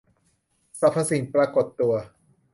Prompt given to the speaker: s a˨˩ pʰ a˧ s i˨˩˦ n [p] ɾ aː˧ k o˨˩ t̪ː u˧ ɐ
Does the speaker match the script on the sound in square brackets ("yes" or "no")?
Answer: yes